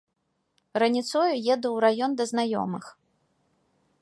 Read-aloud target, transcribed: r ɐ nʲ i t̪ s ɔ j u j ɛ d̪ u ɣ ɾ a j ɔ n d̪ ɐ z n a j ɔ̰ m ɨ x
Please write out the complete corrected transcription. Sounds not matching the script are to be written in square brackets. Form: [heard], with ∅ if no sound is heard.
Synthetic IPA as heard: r ɐ nʲ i t̪ s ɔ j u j ɛ d̪ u [w] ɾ a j ɔ n d̪ ɐ z n a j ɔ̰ m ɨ x